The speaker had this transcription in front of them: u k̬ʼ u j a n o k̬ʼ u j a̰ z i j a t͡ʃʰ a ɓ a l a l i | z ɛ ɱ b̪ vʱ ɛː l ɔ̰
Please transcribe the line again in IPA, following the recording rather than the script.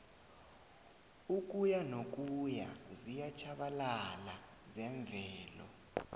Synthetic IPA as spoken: u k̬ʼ u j a n o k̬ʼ u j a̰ z i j a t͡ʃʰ a ɓ a l a l a | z ɛ ɱ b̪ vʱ ɛː l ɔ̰

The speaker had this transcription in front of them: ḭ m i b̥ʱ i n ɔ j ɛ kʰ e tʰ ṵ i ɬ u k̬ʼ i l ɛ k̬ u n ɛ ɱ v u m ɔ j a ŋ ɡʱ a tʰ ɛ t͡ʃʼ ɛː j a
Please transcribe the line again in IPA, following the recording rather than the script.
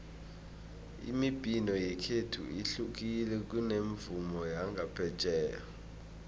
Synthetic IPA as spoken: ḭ m i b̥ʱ i n ɔ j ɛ kʰ e tʰ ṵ i ɬ u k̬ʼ i l ɛ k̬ u n e ɱ v u m ɔ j a ŋ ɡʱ a pʰ ɛ t͡ʃʼ ɛː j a

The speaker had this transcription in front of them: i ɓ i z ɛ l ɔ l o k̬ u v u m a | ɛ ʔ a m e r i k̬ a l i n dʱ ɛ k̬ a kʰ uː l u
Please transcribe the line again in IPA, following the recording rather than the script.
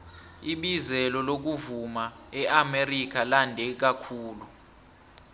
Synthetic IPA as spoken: i ɓ i z ɛ l ɔ l o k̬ u v u m a | ɛ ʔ a m e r i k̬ a l a n dʱ ɛ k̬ a kʰ uː l u

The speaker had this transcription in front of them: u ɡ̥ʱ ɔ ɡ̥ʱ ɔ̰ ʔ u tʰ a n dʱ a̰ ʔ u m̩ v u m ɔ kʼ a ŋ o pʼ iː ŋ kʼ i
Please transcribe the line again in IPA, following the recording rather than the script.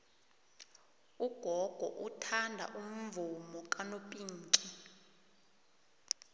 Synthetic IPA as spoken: u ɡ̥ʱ ɔ ɡ̥ʱ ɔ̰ ʔ u tʰ a n dʱ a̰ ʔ u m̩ v u m ɔ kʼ a n o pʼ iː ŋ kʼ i

